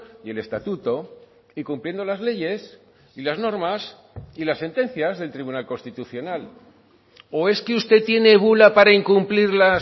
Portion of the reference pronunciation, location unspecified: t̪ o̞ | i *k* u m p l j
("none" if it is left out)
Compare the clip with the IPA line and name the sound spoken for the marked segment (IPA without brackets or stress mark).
k